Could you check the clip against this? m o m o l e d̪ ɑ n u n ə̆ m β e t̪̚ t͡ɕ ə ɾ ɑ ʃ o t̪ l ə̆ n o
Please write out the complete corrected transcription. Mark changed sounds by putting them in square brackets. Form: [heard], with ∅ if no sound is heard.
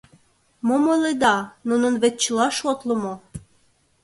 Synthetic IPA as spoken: m o m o l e d̪ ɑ n u n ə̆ [n] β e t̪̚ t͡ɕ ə [l] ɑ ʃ o t̪ l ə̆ [m] o